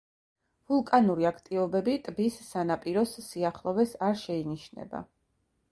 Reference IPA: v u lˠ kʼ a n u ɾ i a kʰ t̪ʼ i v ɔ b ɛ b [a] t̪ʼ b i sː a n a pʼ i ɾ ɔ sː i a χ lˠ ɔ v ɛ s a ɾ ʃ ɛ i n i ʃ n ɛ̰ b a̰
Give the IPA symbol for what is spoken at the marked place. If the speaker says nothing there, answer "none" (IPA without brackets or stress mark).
i